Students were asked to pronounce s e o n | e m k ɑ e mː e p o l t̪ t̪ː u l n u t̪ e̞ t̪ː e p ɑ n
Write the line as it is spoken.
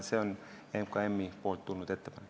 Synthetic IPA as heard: s e o n | e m k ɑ e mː i p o l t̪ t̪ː u l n u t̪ e̞ t̪ː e p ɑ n